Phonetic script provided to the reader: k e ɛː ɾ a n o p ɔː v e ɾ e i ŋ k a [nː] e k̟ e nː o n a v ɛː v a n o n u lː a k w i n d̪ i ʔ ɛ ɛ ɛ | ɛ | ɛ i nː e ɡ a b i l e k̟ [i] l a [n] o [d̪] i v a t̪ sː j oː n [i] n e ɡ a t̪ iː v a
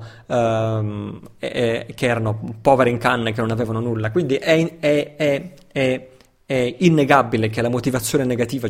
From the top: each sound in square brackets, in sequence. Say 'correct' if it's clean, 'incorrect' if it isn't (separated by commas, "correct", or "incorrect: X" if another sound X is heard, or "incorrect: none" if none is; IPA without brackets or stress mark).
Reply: correct, incorrect: e, incorrect: m, incorrect: t̪, incorrect: e